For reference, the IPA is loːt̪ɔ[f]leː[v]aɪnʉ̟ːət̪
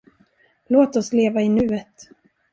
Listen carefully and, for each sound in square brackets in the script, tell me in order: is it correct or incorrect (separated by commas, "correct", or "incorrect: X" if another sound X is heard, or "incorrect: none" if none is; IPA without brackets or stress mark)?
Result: incorrect: s, correct